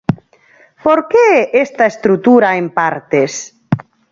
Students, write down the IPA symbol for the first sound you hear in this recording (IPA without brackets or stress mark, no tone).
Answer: p